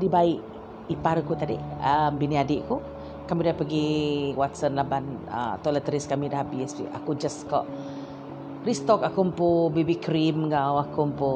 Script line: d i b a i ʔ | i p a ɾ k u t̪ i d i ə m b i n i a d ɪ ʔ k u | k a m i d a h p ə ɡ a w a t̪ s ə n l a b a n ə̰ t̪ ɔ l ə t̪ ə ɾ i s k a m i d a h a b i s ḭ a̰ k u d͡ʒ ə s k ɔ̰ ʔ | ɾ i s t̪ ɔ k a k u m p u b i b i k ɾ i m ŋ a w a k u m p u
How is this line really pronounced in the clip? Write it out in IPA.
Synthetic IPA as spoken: d i b a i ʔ | i p a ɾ k u t̪ a d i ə m b i n i a d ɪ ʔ k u | k a m i d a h p ə ɡ i w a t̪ s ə n l a b a n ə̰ t̪ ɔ l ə t̪ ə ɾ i s k a m i d a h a b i s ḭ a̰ k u d͡ʒ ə s k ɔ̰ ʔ | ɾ i s t̪ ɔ k a k u m p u b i b i k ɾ i m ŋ a w a k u m p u